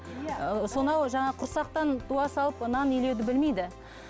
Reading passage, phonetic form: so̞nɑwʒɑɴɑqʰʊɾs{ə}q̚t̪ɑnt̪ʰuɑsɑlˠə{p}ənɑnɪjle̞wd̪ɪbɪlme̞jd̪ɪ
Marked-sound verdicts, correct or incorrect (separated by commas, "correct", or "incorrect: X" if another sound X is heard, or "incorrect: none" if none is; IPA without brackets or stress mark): incorrect: ɑ, correct